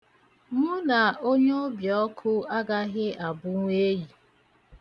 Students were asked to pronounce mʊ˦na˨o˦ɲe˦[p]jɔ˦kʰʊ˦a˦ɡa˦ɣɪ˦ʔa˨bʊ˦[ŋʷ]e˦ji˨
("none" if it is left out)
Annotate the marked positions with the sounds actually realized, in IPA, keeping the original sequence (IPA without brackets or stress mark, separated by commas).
b, ŋʷ